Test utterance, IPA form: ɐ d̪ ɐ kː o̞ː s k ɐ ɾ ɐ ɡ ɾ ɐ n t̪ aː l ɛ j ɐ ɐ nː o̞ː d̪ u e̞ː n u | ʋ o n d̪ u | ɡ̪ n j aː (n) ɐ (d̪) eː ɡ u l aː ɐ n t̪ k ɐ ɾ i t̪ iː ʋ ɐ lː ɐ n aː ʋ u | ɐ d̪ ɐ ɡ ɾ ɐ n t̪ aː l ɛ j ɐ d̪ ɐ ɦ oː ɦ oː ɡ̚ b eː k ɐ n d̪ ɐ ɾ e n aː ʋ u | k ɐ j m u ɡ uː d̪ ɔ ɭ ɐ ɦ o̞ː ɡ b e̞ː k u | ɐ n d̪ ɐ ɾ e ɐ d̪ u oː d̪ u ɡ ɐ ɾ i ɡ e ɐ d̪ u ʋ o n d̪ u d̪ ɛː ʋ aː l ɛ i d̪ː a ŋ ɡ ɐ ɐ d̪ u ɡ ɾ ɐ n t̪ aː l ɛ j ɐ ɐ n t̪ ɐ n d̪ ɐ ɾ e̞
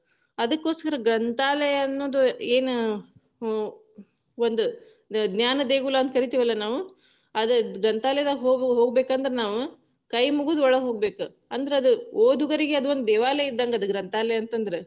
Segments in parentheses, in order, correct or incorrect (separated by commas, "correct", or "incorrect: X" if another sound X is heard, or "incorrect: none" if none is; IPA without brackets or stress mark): correct, correct